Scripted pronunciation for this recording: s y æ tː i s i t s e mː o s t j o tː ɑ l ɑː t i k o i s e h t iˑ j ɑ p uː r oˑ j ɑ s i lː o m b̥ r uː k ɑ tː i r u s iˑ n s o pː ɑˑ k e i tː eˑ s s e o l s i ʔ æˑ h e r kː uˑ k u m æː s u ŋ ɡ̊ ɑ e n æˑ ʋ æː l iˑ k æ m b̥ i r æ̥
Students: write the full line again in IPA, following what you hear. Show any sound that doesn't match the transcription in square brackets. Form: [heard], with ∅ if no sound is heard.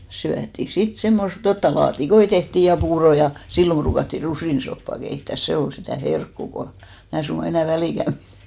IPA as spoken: s y æ tː i s i t s e mː o s t j o tː ɑ l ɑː t i k o i [t] e h t iˑ j ɑ p uː r oˑ j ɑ s i lː o m b̥ r uː k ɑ tː i r u s iˑ n s o pː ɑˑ k e i tː [æˑ] s s e o l s i [t] æˑ h e r kː uˑ k [o] m æː s u ŋ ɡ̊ ɑ e n æˑ ʋ [æ] l iˑ k æ m b̥ i r æ̥

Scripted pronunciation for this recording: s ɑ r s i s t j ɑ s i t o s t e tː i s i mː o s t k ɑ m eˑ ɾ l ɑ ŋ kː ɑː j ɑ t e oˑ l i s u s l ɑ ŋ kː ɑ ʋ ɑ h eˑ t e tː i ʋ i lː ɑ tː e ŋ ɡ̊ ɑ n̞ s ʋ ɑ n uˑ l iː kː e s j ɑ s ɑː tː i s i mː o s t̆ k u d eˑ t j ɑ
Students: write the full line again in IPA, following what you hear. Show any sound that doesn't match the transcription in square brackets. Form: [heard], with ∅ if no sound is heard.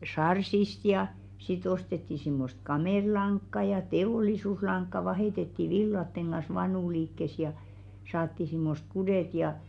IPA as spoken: s ɑ r s i s t j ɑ s i t o s t e tː i s i mː o s t k ɑ m eˑ ɾ l ɑ ŋ kː [ɑ] j ɑ t e oˑ l i s u s l ɑ ŋ kː ɑ ʋ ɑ h eˑ t e tː i ʋ i lː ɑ tː e ŋ ɡ̊ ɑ n̞ s ʋ ɑ n uˑ l iː kː e s j ɑ s ɑː tː i s i mː o s t̆ k u d eˑ t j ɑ

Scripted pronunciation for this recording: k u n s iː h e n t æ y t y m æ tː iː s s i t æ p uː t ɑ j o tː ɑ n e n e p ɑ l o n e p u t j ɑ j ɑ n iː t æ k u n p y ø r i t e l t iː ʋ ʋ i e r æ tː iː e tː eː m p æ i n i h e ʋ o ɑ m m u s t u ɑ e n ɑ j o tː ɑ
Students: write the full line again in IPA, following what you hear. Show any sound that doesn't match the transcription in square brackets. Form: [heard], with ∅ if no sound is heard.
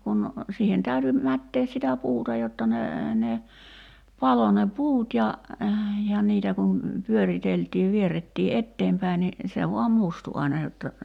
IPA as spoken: k u n s iː h e n t æ y t y m æ tː [eː] s s i t æ p uː t ɑ j o tː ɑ n e n e p ɑ l o n e p [uː] t j ɑ j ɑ n iː t æ k u n p y ø r i t e l t iː ʋ ʋ i e r [e] tː iː e tː eː m p æ i n i [s] e ʋ o ɑ m m u s t u ɑ [i] n ɑ j o tː ɑ

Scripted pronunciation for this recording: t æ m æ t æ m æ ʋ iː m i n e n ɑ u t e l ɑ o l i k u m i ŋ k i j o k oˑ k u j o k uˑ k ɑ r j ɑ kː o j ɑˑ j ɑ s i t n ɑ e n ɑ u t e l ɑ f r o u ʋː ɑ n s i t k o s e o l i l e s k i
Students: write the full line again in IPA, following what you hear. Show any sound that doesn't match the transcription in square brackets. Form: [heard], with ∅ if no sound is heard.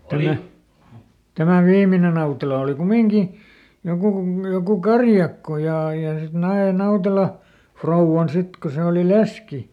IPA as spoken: t æ m æ t æ m æ ʋ iː m i n e n ɑ u t e l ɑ o l i k u m i ŋ k i j o k [uˑ] k u j o k uˑ k ɑ r j ɑ kː o j ɑˑ j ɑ s i t n ɑ e n ɑ u t e l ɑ f r o u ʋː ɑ n s i t k o s e o l i l e s k i

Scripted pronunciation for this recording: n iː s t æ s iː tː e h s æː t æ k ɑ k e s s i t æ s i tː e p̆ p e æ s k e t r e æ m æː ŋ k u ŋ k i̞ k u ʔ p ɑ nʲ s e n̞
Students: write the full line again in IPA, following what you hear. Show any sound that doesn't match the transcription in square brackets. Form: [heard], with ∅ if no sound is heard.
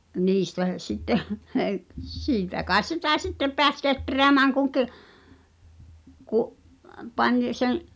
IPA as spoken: n iː s t æ s [i] tː e h s [iː] t æ k ɑ [∅] e s s i t æ s i tː e p̆ p e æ s k e t r e æ m æː ŋ k u ŋ k i̞ k u ʔ p ɑ nʲ s e n̞

